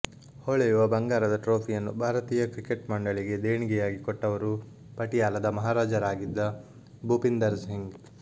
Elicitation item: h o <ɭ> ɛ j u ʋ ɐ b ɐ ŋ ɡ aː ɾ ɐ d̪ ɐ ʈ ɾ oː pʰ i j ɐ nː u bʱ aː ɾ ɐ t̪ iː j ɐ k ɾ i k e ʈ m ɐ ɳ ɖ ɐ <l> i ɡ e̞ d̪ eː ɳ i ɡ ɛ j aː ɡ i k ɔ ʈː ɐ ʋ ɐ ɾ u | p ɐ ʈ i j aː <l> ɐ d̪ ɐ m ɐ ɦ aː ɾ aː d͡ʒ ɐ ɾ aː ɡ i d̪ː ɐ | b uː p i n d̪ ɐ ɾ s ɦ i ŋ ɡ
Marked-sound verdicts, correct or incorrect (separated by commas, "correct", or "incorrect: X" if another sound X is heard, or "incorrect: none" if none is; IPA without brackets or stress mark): correct, incorrect: ɭ, correct